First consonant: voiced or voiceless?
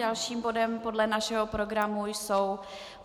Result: voiced